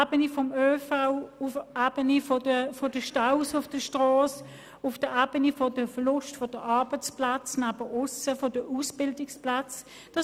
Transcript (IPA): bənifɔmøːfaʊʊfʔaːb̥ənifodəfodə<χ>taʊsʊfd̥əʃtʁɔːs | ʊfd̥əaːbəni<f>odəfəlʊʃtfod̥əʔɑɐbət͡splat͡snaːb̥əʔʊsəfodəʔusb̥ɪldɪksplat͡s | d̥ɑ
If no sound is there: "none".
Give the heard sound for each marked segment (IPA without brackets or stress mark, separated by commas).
ʃ, f